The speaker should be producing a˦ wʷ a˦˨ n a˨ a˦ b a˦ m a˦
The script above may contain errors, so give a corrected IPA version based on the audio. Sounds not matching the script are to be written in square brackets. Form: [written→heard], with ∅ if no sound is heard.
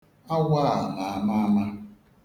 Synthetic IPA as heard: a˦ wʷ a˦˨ n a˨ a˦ [b→m] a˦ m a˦